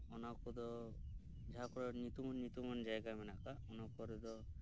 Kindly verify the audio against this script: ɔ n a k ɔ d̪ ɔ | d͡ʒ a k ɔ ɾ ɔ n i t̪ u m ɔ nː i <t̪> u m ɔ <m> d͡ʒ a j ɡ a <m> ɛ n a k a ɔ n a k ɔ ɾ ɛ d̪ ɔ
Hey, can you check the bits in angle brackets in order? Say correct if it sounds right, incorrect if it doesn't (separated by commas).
correct, incorrect, correct